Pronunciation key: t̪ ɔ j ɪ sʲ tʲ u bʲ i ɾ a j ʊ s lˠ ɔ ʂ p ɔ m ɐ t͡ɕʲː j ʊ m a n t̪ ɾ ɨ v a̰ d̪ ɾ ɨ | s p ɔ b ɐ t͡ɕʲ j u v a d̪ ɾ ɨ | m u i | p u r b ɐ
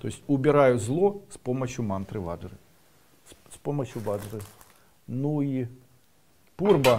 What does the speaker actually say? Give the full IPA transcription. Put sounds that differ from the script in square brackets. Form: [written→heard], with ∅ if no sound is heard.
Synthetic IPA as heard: t̪ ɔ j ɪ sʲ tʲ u bʲ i ɾ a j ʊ [s→z] lˠ ɔ [ʂ→s] p ɔ m ɐ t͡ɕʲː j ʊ m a n t̪ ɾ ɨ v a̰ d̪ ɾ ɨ | s p ɔ [b→m] ɐ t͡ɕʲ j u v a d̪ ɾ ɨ | [m→n] u i | p u r b ɐ